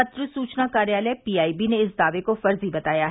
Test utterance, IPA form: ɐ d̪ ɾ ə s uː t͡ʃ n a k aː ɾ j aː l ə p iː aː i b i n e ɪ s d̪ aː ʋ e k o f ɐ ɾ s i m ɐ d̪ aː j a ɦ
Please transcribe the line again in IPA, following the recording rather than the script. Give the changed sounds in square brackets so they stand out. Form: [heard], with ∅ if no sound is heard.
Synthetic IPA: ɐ [t̪] ɾ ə s uː t͡ʃ n a k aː ɾ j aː l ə p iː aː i b i n e ɪ s d̪ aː ʋ e k o f ɐ ɾ [z] i [b] ɐ [t̪] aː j a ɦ